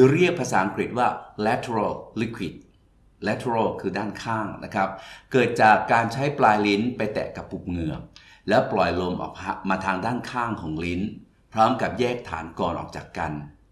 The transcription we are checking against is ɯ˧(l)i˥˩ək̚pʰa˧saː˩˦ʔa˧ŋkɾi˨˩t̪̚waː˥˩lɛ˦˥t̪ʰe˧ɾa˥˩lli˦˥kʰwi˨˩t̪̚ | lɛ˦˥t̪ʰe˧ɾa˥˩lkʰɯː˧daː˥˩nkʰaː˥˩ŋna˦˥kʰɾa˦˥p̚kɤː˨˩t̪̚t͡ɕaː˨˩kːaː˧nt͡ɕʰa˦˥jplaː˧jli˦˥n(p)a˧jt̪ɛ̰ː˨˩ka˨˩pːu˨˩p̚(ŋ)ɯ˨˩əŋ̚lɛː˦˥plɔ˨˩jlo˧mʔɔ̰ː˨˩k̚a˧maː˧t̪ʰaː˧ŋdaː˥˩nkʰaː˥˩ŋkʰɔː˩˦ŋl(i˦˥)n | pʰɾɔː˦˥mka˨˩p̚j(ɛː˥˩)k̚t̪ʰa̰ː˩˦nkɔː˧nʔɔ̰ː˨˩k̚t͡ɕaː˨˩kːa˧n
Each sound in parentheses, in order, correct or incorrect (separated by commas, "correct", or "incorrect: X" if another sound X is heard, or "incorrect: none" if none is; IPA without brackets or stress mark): incorrect: ɾ, correct, correct, correct, correct